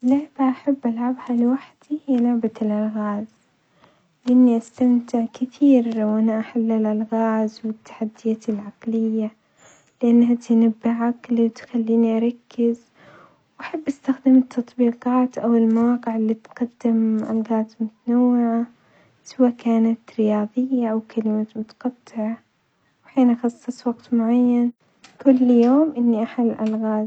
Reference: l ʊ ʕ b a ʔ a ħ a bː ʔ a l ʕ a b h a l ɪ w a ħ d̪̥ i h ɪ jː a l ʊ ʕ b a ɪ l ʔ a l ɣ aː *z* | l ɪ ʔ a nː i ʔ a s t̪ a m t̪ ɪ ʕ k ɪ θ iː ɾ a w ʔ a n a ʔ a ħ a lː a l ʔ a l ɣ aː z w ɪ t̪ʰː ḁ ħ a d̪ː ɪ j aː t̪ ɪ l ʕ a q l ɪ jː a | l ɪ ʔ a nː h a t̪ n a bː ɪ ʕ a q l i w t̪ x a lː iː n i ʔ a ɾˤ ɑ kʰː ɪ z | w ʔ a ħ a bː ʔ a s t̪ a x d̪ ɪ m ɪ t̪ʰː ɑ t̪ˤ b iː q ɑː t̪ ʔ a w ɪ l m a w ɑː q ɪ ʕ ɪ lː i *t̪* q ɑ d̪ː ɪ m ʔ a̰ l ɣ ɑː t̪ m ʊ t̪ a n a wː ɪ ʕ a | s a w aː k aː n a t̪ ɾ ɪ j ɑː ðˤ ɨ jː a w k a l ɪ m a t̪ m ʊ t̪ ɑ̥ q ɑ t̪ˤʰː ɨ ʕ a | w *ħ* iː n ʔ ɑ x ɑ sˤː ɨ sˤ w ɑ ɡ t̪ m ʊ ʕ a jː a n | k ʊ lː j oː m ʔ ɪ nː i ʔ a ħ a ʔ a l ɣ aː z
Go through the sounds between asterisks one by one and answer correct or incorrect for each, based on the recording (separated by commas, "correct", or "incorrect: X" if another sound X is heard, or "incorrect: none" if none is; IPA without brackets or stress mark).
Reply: correct, correct, correct